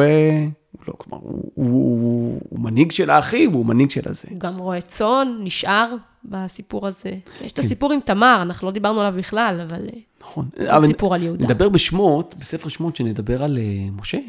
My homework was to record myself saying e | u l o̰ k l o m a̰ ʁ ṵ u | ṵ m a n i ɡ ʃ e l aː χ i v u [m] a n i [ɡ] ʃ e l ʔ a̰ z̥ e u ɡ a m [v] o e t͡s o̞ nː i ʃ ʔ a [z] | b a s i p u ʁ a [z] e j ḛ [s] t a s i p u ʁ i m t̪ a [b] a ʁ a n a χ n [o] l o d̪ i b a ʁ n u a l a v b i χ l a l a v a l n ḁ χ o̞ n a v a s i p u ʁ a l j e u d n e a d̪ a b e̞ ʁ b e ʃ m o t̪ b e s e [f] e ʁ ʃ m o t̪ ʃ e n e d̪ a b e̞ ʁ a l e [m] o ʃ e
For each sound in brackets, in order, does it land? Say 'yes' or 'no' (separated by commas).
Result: yes, yes, no, no, yes, no, no, no, yes, yes